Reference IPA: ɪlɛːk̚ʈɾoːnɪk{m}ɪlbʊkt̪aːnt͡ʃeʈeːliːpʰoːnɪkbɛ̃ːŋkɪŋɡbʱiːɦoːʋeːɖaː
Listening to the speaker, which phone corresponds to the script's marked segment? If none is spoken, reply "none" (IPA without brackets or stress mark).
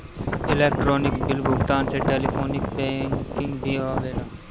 b